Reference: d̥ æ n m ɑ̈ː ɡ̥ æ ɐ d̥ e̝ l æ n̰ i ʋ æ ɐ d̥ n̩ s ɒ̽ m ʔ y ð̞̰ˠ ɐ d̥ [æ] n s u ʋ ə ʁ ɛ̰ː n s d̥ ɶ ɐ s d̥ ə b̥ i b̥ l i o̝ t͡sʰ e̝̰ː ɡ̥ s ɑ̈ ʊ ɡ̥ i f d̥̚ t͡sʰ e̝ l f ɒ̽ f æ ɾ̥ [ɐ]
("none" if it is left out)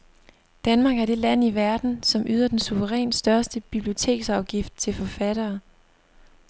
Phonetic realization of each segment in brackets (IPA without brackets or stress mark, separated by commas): e, ɐː